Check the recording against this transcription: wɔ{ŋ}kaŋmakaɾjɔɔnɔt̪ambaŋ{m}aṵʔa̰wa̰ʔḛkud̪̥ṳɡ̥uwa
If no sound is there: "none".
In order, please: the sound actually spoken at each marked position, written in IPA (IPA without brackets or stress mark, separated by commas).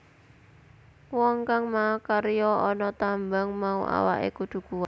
ŋ, m